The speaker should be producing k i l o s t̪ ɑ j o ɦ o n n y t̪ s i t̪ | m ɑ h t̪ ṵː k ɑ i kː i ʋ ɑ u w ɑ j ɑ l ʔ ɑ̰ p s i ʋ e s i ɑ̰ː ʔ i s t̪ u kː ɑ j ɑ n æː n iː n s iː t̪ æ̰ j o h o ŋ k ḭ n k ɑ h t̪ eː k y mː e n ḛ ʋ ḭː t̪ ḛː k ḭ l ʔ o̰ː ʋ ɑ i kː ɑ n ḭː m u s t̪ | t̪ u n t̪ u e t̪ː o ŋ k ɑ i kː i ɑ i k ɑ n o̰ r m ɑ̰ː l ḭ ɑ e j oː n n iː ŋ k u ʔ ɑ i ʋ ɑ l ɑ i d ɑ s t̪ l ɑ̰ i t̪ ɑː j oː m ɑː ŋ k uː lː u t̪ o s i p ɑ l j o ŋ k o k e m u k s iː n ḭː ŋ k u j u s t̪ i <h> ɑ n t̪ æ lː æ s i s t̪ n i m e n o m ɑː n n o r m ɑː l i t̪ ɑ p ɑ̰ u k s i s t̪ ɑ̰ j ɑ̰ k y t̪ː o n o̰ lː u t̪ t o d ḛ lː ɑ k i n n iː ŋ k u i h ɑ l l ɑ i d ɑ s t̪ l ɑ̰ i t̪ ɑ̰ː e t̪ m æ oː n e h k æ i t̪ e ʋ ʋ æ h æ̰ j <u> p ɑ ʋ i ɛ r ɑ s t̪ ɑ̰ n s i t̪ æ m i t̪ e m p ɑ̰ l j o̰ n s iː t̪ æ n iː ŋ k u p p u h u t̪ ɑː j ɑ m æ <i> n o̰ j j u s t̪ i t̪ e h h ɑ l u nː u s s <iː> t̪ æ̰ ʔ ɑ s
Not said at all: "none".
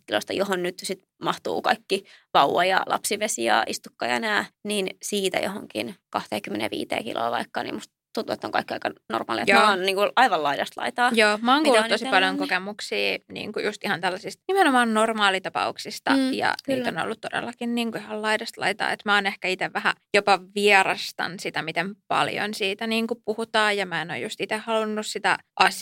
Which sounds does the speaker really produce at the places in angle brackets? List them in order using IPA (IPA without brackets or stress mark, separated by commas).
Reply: h, o, e, i